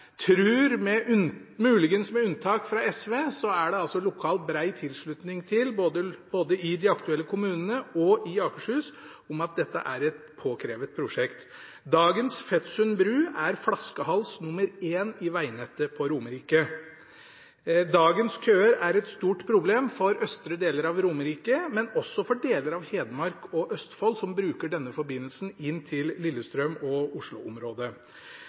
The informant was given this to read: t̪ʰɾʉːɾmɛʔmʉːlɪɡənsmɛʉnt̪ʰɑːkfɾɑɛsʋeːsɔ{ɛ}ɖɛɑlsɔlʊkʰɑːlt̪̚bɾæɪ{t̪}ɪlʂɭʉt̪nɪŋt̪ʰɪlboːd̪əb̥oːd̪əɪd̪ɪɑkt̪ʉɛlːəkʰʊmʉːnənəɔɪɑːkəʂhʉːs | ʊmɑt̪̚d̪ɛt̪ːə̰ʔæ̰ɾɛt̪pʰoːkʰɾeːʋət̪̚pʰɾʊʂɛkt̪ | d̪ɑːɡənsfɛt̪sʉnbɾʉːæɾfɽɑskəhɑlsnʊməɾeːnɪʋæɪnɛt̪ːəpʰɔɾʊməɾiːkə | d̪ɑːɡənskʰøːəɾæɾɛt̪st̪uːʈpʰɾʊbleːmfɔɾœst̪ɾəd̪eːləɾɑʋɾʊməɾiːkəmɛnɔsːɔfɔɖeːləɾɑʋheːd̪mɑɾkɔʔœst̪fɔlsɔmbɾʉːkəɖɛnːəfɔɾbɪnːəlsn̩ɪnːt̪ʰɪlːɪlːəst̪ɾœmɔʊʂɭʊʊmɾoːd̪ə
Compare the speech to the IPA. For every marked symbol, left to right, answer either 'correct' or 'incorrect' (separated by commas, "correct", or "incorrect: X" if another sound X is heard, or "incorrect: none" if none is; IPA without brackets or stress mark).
incorrect: æ, incorrect: t̪ʰ